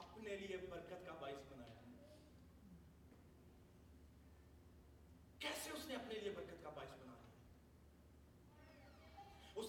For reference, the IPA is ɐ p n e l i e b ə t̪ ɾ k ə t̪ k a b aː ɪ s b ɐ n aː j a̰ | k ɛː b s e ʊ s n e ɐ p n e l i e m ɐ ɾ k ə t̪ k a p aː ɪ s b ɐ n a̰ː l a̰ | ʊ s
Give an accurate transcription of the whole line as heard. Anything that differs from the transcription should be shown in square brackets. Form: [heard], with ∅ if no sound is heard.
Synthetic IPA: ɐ p n e l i e b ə [∅] ɾ k ə t̪ k a b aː ɪ s b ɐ n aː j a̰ | k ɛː [∅] s e ʊ s n e ɐ p n e l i e [b] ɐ ɾ k ə t̪ k a [b] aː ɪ s b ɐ n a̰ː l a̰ | ʊ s